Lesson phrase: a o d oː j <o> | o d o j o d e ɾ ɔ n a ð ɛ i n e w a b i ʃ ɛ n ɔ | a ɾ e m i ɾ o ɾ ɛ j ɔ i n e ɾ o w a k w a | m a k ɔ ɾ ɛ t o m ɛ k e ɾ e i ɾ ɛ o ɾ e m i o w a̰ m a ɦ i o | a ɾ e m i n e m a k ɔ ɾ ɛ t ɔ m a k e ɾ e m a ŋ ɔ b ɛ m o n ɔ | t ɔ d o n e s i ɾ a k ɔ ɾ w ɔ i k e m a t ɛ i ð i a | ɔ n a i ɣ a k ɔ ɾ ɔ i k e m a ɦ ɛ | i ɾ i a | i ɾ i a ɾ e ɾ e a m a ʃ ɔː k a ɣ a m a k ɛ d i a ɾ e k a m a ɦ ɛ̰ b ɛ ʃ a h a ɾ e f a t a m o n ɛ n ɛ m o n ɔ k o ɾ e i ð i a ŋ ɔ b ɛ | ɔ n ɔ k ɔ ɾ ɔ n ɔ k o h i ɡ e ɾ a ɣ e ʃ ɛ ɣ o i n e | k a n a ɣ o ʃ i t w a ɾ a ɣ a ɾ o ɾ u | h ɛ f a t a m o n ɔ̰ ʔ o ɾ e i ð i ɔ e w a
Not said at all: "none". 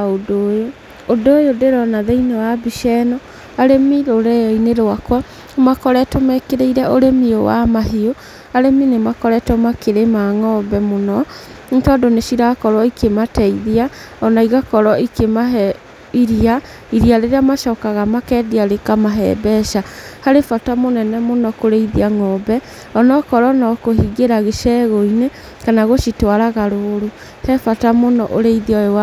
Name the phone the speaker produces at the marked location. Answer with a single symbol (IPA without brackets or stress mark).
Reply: o